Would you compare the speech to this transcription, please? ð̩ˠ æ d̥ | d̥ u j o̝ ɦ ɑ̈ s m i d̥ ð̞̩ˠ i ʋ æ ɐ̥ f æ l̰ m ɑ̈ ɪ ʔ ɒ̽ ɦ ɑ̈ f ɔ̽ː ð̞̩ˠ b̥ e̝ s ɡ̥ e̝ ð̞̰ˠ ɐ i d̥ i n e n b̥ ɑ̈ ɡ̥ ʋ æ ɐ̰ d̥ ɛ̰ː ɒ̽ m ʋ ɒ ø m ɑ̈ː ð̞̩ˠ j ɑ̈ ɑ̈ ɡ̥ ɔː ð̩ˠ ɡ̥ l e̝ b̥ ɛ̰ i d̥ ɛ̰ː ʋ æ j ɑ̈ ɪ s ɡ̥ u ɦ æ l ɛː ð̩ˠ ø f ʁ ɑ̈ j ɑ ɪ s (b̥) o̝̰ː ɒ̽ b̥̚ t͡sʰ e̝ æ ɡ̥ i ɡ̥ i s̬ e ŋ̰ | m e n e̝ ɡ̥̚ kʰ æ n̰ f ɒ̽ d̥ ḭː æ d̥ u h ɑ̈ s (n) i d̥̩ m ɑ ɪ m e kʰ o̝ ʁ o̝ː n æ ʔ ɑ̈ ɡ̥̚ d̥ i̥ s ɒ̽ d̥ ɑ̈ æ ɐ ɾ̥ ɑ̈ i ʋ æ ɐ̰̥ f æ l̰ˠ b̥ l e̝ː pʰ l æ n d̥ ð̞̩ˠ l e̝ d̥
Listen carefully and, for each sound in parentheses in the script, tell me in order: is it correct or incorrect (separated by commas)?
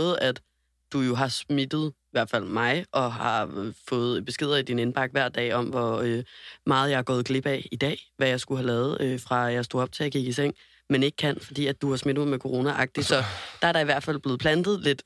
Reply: incorrect, incorrect